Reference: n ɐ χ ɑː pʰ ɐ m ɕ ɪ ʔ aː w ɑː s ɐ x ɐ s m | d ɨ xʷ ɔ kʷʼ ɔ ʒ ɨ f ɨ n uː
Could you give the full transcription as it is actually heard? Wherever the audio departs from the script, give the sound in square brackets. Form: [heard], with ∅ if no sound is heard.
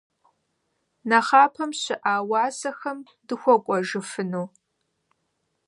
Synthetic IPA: n ɐ χ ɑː pʰ ɐ m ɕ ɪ ʔ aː w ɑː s ɐ x ɐ [∅] m | d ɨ xʷ ɔ kʷʼ ɔ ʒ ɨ f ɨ n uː